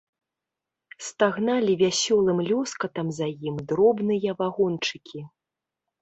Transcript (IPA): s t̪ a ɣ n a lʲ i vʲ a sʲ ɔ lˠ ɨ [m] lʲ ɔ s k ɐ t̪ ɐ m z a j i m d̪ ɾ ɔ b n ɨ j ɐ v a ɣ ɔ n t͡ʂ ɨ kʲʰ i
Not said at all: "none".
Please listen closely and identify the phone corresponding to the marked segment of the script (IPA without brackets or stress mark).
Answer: m